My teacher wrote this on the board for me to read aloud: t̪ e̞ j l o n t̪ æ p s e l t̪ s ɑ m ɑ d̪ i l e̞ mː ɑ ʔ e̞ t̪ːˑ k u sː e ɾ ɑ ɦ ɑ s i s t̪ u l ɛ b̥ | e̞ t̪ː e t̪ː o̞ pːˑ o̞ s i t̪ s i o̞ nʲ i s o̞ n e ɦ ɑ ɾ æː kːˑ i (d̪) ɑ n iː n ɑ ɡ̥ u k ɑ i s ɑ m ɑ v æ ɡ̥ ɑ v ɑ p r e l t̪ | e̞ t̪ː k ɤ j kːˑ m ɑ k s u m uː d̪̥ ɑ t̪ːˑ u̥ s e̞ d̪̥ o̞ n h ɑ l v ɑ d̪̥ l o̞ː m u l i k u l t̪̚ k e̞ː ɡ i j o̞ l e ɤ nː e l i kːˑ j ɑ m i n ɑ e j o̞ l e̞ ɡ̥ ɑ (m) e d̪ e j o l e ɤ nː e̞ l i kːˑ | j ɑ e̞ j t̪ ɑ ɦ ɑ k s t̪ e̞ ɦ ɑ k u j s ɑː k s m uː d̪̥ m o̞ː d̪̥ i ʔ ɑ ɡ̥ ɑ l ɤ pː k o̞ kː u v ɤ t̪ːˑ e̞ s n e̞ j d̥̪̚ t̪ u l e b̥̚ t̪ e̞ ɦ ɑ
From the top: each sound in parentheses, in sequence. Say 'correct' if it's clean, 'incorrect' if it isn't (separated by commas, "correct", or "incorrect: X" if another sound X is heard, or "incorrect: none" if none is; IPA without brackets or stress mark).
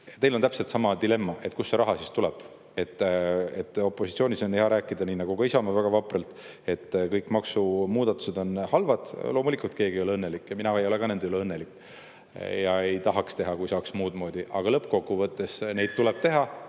correct, incorrect: n